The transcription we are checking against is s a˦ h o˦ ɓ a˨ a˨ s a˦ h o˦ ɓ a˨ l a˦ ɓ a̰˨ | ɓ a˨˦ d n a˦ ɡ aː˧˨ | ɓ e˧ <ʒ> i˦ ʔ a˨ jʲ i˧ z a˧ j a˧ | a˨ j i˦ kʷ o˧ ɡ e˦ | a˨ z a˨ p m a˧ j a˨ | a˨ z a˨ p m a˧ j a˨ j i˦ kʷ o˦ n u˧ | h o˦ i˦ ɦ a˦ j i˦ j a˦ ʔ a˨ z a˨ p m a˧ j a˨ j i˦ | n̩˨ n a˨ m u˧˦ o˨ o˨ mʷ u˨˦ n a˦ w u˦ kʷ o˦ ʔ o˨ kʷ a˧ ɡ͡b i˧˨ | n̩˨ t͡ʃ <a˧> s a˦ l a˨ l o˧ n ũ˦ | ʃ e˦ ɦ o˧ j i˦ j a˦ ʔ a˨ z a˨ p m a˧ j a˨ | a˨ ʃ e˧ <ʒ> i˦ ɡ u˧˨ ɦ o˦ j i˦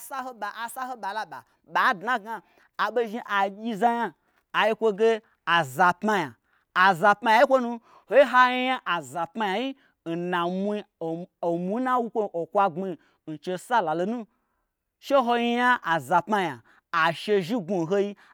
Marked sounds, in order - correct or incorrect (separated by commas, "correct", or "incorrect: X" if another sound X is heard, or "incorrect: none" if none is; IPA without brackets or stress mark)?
correct, incorrect: e˧, correct